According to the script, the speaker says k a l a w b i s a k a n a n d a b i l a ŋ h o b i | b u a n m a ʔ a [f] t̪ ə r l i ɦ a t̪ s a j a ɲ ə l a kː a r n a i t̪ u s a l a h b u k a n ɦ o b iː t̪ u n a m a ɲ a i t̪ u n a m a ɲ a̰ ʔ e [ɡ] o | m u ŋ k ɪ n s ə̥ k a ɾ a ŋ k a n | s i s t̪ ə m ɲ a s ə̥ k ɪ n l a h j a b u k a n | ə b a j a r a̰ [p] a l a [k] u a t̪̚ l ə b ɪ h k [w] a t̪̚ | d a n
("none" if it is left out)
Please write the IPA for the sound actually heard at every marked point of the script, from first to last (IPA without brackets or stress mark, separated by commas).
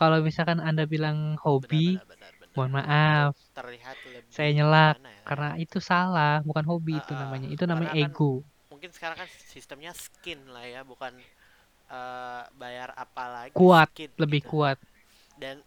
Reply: f, ɡ, p, k, u